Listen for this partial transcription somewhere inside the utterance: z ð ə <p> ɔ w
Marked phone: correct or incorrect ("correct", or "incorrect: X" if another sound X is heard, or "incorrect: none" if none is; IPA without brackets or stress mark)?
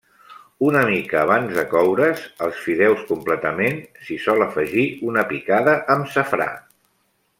incorrect: k